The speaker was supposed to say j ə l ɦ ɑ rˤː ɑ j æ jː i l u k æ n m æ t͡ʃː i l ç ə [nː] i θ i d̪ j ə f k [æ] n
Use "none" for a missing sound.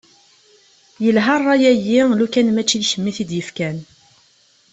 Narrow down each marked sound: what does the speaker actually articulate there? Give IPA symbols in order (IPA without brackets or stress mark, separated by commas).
mː, æ